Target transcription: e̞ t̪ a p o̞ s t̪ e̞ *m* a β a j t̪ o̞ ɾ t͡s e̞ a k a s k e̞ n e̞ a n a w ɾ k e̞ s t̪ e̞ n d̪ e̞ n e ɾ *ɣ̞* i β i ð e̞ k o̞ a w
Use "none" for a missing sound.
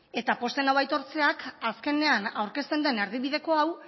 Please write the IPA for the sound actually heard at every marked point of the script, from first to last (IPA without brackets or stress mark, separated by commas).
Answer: n, ð̞